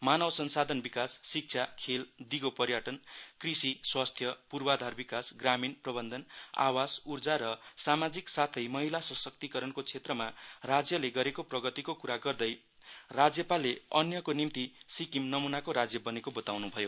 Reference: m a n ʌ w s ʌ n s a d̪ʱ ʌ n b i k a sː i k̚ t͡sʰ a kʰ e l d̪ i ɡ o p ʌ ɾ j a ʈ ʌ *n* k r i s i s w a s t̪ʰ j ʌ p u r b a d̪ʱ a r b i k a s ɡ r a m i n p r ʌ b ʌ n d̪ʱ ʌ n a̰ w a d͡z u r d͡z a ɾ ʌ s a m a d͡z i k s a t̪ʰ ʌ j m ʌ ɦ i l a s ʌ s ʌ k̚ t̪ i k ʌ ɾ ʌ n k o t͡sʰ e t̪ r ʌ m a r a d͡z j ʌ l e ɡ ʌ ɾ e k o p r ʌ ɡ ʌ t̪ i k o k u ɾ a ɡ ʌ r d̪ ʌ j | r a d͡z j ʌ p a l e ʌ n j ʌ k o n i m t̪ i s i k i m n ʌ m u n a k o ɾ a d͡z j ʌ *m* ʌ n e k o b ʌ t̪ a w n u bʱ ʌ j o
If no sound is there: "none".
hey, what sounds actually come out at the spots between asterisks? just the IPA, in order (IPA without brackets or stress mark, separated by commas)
n, b